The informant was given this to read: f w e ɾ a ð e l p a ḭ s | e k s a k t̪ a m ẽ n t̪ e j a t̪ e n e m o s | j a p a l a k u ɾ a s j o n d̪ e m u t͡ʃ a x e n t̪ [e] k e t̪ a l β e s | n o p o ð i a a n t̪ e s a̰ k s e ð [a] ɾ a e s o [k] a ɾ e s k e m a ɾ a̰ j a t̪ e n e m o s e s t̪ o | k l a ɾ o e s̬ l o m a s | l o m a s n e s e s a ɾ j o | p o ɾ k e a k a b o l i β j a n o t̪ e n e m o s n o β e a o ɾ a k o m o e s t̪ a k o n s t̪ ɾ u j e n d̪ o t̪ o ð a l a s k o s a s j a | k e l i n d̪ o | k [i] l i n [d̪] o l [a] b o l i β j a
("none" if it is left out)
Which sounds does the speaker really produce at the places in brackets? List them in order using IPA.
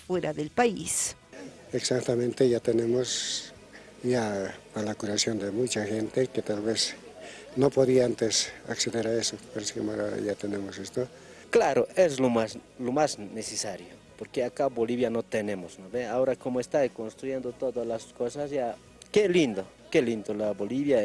e, e, p, e, d̪, a

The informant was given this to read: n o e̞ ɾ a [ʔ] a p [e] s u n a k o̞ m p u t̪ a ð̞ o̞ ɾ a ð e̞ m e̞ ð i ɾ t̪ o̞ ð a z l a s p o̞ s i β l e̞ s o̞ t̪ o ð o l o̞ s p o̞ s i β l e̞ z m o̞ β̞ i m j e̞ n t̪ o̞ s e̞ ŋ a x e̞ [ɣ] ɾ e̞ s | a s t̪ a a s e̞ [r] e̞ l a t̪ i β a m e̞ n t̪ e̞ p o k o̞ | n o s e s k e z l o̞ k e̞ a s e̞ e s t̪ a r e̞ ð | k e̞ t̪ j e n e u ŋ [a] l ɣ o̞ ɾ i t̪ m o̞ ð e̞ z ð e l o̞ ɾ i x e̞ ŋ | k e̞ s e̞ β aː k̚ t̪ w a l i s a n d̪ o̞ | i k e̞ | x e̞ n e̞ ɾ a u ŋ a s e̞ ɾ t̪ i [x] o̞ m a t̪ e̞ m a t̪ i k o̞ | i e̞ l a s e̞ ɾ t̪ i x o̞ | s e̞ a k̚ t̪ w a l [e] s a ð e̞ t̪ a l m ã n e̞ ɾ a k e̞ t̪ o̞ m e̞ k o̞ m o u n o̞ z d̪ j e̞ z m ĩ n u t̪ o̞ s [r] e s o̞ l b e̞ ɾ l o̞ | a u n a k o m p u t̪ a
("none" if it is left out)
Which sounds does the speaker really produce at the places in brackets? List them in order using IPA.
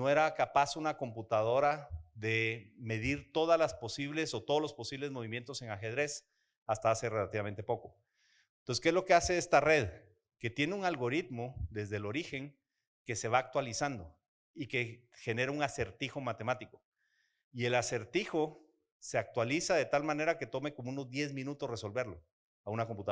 k, a, ð, r, a, x, i, r

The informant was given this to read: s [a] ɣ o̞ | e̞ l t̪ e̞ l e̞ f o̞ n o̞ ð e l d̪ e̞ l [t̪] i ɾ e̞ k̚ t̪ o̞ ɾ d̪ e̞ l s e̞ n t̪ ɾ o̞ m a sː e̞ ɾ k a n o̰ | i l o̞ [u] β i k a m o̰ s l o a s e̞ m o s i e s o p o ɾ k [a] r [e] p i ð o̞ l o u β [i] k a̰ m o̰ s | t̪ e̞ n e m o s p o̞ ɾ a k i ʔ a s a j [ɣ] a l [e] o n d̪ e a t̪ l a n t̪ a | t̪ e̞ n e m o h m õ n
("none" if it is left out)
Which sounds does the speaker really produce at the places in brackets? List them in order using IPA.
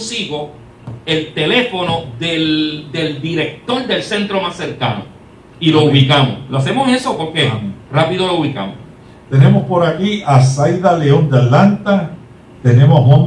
i, d̪, u, e, a, i, ð, e

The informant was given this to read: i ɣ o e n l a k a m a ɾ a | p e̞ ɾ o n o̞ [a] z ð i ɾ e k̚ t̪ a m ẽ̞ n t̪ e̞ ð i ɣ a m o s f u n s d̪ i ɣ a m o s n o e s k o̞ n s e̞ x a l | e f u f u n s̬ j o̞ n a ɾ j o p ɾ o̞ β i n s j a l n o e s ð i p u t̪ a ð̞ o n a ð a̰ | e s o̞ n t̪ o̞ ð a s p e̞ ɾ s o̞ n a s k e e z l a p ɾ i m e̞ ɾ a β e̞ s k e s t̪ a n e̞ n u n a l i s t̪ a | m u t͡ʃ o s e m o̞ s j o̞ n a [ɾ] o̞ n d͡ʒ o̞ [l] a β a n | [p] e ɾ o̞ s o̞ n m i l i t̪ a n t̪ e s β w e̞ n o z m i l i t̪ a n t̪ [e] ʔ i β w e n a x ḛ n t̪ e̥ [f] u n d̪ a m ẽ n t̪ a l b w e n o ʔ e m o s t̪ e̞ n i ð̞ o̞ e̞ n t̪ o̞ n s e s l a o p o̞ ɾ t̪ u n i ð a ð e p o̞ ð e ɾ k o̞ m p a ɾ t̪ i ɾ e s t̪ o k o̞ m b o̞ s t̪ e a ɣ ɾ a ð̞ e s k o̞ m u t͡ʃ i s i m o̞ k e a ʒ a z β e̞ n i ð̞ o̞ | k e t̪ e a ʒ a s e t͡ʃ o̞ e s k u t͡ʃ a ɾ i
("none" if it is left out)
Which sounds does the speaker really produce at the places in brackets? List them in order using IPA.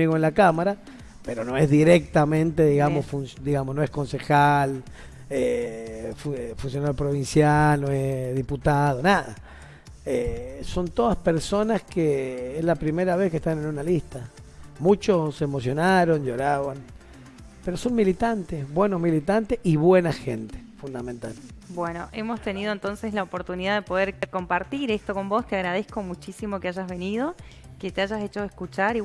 e, ɾ, ɾ, p, e, f

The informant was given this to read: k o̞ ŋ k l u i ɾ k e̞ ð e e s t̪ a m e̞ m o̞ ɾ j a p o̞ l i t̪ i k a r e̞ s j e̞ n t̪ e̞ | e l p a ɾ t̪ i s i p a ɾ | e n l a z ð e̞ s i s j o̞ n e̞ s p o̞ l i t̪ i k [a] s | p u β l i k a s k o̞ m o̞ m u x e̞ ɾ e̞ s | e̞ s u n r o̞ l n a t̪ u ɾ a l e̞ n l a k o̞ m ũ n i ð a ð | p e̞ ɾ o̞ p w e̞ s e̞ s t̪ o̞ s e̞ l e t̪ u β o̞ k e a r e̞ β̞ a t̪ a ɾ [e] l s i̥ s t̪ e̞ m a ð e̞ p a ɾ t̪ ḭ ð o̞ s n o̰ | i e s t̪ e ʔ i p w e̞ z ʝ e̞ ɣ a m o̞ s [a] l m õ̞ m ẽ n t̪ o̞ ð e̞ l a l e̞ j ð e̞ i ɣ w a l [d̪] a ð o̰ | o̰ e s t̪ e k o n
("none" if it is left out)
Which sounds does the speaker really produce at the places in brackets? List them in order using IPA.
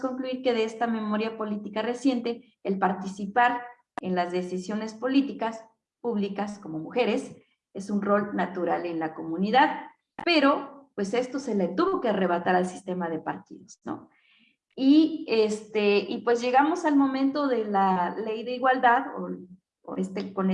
a, a, a, d̪

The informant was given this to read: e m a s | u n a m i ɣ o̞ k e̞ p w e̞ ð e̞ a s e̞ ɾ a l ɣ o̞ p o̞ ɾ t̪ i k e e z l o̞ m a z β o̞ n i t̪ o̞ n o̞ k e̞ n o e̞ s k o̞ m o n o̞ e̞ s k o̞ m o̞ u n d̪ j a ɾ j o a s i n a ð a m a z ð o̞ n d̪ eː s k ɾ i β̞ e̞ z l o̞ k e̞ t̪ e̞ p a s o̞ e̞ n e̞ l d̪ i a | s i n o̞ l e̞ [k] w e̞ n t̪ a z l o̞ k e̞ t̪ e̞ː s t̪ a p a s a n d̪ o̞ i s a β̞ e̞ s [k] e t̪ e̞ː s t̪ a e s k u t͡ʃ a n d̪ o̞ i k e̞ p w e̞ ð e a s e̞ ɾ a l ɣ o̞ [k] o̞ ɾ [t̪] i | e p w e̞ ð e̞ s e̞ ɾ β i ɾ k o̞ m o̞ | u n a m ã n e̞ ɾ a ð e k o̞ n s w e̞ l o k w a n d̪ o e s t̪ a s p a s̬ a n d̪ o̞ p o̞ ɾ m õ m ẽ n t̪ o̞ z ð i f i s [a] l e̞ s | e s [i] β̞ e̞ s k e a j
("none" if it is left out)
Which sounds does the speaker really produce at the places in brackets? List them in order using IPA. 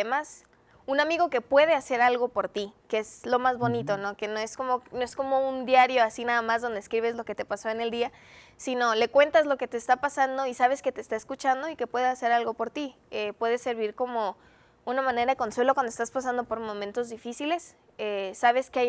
k, k, p, t̪, i, a

